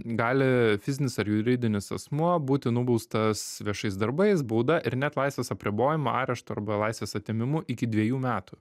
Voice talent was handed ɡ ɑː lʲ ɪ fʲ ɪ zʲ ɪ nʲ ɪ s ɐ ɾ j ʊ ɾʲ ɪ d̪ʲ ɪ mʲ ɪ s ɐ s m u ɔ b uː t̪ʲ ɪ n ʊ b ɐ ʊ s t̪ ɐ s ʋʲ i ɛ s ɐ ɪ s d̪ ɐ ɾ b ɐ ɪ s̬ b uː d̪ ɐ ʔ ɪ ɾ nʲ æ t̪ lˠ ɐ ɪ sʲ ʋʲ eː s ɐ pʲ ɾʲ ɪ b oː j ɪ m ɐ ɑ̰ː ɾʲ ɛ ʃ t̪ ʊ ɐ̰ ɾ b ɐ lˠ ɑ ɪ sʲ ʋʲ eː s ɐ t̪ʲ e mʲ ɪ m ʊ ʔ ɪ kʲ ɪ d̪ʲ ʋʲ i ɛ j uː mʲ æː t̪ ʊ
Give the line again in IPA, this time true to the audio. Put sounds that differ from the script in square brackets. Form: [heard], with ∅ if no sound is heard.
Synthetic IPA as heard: ɡ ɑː lʲ ɪ fʲ ɪ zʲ ɪ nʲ ɪ s ɐ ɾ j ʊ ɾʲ ɪ d̪ʲ ɪ [nʲ] ɪ s ɐ s m u ɔ b uː t̪ʲ ɪ n ʊ b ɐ ʊ s t̪ ɐ s ʋʲ i ɛ [ʃ] ɐ ɪ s d̪ ɐ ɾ b ɐ ɪ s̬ b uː d̪ ɐ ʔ ɪ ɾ nʲ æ t̪ lˠ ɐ ɪ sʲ ʋʲ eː s ɐ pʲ ɾʲ ɪ b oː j ɪ m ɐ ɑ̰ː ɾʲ ɛ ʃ t̪ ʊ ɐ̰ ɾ b ɐ lˠ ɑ ɪ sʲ ʋʲ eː s ɐ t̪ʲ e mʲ ɪ m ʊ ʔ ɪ kʲ ɪ d̪ʲ ʋʲ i ɛ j uː mʲ æː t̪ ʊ